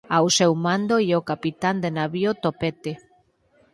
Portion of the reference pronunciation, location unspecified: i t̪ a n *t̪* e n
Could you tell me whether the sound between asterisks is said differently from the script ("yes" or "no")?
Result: yes